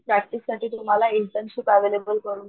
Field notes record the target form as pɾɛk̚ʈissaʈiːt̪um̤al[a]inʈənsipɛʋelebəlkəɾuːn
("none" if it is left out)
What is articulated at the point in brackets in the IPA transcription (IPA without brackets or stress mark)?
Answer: a